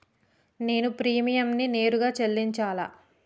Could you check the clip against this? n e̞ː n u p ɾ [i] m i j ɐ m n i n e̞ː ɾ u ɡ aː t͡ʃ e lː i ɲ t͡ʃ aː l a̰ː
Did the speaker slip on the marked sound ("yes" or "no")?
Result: yes